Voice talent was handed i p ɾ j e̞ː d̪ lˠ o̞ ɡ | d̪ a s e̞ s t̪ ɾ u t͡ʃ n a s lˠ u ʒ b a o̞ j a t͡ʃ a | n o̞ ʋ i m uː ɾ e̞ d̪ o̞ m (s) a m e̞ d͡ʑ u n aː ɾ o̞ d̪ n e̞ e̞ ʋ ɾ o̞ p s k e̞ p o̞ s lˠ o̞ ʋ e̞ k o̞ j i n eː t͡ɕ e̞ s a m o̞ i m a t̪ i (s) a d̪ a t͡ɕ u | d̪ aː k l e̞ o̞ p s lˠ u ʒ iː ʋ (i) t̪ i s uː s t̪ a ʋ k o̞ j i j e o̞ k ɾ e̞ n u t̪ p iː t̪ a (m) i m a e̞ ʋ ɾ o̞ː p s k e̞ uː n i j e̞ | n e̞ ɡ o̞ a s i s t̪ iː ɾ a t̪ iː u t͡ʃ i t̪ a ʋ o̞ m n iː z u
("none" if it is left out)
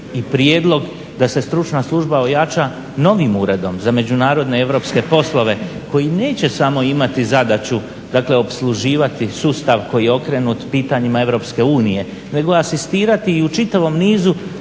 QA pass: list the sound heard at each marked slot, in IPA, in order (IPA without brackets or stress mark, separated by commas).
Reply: z, z, a, ɲ